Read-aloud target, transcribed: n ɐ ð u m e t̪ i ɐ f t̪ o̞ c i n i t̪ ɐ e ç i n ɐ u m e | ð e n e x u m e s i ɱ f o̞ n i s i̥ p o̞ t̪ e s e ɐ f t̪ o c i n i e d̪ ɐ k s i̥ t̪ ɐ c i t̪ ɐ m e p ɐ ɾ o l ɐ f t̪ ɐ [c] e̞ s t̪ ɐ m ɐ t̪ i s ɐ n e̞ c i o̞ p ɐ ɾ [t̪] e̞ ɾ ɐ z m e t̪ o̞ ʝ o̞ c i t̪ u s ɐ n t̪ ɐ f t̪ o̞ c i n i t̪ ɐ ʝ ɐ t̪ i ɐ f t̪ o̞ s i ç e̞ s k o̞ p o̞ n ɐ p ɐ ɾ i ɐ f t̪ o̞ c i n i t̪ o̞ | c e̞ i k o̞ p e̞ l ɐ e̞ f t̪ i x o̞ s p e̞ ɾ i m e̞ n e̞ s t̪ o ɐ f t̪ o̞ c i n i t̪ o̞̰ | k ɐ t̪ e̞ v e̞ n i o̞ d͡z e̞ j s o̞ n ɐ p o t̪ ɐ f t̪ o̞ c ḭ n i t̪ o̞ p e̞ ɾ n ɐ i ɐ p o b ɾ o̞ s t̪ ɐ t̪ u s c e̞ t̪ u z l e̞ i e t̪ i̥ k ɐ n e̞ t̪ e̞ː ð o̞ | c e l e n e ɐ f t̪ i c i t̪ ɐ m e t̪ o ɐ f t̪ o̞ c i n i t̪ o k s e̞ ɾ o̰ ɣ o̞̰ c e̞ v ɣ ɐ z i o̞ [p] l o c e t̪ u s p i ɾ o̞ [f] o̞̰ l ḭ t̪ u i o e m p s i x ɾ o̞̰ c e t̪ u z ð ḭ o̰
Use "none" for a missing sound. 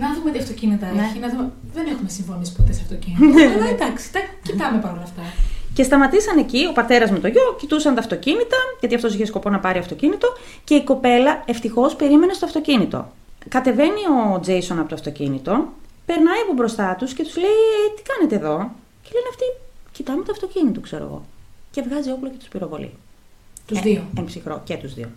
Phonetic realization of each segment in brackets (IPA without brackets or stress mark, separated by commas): c, t̪, p, v